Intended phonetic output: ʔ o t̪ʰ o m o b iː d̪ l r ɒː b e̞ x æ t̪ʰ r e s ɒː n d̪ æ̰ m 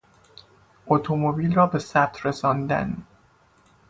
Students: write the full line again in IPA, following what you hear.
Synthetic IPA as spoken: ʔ o t̪ʰ o m o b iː l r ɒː b e̞ s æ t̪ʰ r e s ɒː n d̪ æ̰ n